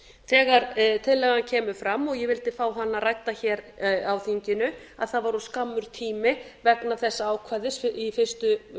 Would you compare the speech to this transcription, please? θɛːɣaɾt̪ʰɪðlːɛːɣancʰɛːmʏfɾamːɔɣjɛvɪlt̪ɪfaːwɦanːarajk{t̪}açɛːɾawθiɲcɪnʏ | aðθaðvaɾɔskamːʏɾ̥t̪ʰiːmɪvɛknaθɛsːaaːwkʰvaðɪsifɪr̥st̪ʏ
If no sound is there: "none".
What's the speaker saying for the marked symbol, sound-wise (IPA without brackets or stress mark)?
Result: t̪